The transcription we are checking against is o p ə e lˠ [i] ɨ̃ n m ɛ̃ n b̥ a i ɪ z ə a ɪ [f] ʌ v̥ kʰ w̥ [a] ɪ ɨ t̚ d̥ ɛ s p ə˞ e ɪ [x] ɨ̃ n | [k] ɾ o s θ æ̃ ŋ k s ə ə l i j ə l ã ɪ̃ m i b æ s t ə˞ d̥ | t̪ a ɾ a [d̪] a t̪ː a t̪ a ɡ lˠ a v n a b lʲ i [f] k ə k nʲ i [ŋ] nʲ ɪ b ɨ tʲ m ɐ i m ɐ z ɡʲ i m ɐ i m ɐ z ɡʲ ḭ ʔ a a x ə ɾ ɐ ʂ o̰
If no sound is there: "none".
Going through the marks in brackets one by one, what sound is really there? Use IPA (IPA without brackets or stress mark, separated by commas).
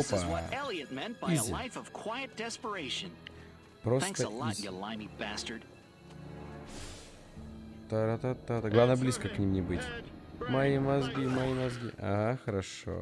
i, f, a, ʃ, p, t̪, s, m